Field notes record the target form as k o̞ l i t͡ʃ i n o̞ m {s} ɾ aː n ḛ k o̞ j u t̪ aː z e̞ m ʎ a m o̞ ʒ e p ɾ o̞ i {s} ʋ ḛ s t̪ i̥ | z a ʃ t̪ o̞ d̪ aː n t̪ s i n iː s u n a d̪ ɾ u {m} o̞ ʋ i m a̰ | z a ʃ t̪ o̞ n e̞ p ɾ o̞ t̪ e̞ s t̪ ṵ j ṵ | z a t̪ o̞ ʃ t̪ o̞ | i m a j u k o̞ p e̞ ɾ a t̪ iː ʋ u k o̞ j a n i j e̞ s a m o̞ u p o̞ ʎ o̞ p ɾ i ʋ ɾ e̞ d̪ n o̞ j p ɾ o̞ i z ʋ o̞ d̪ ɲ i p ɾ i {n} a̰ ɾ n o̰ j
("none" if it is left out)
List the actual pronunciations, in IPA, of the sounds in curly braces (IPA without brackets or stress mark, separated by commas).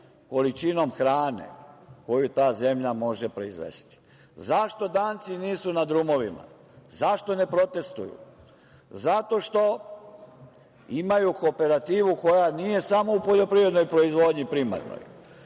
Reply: x, z, m, m